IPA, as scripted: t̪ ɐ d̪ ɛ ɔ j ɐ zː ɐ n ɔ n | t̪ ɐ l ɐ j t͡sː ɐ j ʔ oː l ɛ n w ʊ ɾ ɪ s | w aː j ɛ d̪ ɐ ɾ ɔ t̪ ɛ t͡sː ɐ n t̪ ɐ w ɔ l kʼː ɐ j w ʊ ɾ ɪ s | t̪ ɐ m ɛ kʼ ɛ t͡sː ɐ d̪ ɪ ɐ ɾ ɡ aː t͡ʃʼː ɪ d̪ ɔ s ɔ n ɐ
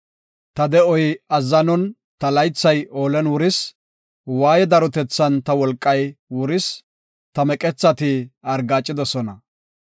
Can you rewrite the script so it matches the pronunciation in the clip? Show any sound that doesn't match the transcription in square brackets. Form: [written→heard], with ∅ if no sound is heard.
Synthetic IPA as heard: t̪ ɐ d̪ ɛ ɔ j ɐ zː ɐ n ɔ n | t̪ ɐ l ɐ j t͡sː ɐ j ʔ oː l ɛ n w ʊ ɾ ɪ s | w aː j ɛ d̪ ɐ ɾ ɔ t̪ ɛ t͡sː ɐ n t̪ ɐ w ɔ l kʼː ɐ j w ʊ ɾ ɪ s | t̪ ɐ m ɛ kʼ ɛ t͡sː ɐ [d̪→t̪] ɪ ɐ ɾ ɡ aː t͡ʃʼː ɪ d̪ ɔ s ɔ n ɐ